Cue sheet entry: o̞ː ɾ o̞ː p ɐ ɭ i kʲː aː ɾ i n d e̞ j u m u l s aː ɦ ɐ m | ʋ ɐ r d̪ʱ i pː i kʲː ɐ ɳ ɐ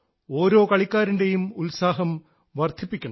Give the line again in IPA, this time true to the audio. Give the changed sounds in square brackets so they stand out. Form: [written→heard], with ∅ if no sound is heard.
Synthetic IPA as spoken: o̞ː ɾ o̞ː [p→k] ɐ ɭ i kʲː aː ɾ i n d e̞ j u m u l s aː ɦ ɐ m | ʋ ɐ r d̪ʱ i pː i kʲː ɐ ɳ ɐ